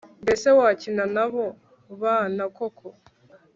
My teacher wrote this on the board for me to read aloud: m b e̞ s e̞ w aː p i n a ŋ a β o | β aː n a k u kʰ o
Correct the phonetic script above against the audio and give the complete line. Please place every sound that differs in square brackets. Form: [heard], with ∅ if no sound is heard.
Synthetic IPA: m b e̞ s e̞ w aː [c] i n a [n] a β o | β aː n a k [o] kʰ o